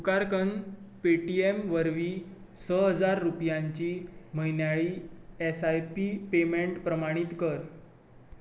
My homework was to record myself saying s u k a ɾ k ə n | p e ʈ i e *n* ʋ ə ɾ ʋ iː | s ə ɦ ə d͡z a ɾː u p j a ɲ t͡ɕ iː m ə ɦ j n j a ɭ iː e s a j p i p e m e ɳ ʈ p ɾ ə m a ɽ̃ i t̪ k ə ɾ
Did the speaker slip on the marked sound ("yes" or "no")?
yes